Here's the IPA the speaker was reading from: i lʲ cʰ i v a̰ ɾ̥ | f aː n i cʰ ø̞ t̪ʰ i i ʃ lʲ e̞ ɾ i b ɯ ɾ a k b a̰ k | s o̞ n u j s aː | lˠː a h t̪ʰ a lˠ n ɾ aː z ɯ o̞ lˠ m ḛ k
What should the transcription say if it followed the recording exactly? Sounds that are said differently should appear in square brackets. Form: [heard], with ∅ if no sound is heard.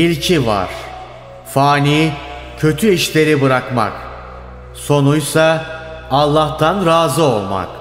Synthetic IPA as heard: i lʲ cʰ i v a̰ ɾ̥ | f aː n i cʰ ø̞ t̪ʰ [y] i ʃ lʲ e̞ ɾ i b ɯ ɾ a k [m] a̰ k | s o̞ n u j s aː | lˠː a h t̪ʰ a [∅] n ɾ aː z ɯ o̞ lˠ m [a̰] k